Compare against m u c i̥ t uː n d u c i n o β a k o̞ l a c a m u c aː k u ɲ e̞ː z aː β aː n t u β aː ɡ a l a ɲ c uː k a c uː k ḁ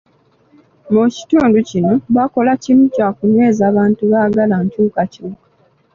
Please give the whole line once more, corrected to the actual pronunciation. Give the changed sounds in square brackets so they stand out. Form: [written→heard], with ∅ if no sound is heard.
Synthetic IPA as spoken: m u c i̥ t uː n d u c i n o β a k o̞ l a c [a→i] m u c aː k u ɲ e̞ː z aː β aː n t u β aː ɡ a l a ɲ c uː k a c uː k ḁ